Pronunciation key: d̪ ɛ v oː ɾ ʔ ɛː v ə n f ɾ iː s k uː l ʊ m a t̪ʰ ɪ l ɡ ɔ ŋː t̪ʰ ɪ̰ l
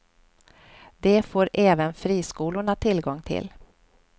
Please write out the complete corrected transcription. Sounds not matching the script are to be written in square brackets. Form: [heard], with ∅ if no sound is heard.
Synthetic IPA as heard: d̪ ɛ [f] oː ɾ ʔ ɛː v ə n f ɾ iː s k uː l ʊ [ɳ] a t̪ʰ ɪ l ɡ ɔ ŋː t̪ʰ ɪ̰ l